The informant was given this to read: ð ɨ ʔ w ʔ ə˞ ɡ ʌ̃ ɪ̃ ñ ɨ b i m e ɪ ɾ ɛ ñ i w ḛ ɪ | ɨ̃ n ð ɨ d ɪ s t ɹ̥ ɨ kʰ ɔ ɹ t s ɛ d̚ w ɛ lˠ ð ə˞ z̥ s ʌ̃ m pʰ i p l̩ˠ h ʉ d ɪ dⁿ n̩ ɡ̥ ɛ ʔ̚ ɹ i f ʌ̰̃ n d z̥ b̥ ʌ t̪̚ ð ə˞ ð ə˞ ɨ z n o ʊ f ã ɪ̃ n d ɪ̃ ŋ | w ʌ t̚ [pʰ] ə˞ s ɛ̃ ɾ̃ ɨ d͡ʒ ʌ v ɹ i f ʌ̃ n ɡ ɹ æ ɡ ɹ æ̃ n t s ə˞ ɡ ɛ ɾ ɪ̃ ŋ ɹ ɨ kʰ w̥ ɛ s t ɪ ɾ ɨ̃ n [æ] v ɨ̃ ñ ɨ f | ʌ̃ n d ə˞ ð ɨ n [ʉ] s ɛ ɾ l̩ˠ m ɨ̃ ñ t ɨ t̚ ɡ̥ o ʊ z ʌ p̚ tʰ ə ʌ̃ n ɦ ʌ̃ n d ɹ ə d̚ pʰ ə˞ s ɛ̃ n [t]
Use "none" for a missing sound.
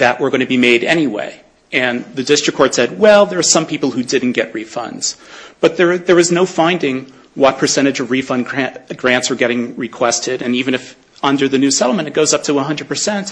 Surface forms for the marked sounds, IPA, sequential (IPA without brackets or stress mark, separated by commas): pʰ, i, ʉ, t